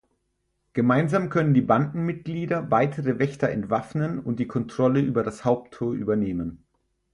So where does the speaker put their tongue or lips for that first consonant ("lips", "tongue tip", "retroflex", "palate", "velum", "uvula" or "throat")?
velum